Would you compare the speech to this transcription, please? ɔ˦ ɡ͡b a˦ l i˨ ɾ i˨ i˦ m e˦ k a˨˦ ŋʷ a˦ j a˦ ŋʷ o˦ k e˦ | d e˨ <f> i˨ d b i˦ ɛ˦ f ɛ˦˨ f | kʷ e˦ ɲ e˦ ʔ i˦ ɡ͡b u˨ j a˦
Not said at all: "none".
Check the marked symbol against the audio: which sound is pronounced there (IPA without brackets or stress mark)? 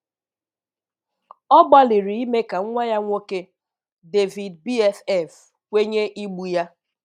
v